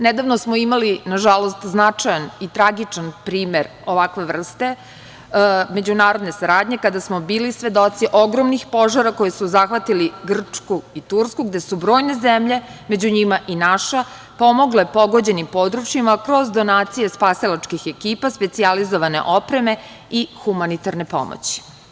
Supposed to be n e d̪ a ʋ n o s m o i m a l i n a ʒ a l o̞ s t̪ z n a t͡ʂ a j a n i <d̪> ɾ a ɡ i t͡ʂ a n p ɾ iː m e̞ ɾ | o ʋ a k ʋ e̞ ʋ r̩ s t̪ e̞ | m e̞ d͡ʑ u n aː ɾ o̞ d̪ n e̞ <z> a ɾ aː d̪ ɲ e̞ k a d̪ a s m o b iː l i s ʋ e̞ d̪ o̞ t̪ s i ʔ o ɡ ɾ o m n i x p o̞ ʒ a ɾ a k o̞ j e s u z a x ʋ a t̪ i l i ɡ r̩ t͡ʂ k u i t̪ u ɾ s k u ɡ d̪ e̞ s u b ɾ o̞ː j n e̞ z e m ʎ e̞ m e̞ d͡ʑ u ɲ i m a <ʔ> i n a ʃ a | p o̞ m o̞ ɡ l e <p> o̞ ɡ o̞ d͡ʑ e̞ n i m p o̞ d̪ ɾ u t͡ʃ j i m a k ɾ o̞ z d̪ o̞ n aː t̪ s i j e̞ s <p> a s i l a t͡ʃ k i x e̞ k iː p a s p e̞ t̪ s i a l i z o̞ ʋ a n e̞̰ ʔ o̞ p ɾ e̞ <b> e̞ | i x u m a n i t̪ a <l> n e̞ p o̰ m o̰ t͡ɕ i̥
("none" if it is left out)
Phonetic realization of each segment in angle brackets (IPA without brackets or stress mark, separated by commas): t̪, s, ʔ, p, p, m, ɾ